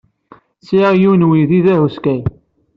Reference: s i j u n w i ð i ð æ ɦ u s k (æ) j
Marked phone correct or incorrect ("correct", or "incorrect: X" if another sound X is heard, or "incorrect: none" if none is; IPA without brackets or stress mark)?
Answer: correct